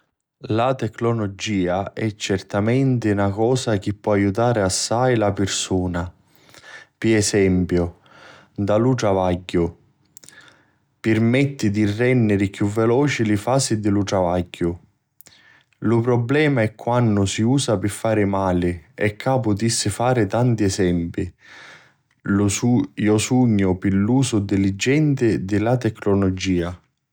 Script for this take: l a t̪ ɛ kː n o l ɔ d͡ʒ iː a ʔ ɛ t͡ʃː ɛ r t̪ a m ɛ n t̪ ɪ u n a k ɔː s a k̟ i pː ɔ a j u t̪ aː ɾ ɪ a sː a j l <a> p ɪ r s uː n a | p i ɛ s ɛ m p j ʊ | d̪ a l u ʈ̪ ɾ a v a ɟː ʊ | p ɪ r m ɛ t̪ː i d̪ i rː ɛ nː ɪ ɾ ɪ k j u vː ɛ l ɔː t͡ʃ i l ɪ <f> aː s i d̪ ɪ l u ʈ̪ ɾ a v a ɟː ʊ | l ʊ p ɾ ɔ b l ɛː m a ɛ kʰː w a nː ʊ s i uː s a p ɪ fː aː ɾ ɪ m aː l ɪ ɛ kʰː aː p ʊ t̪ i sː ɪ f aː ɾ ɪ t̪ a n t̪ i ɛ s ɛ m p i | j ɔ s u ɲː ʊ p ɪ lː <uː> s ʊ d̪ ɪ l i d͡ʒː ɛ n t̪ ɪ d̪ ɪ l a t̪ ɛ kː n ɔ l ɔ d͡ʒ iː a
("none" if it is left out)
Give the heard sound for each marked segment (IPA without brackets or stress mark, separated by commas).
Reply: a, f, uː